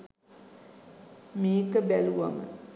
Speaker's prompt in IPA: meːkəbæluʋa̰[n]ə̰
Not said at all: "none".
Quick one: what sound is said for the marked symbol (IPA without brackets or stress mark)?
m